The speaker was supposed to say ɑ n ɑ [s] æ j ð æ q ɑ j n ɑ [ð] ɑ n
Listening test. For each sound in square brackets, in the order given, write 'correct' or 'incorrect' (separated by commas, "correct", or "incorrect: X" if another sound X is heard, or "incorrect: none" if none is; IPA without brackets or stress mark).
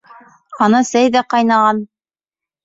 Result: correct, incorrect: ʁ